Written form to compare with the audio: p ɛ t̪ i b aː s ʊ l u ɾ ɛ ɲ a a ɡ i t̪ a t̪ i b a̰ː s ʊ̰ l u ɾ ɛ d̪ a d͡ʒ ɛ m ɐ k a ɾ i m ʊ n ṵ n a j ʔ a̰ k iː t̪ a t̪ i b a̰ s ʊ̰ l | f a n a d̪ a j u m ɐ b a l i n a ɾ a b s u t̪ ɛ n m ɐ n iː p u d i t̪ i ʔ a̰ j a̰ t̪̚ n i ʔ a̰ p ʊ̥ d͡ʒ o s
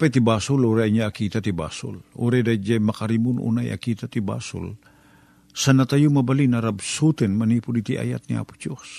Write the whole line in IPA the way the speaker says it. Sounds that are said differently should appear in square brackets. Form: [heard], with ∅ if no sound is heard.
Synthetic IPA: p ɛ t̪ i b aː s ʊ l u ɾ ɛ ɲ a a [k] i t̪ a t̪ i b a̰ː s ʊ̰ l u ɾ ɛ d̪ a d͡ʒ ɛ m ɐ k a ɾ i m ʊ n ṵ n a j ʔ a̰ k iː t̪ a t̪ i b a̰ s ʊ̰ l | [s] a n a [t̪] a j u m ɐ b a l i n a ɾ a b s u t̪ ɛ n m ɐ n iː p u d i t̪ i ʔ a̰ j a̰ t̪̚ n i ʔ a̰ p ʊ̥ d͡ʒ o s